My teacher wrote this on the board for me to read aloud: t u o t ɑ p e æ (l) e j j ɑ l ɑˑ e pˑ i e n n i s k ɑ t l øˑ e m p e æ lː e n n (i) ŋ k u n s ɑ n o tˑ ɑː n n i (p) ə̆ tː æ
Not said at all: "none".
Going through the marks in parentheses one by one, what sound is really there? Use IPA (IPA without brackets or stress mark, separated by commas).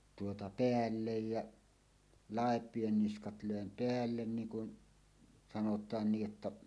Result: lː, iː, ʔ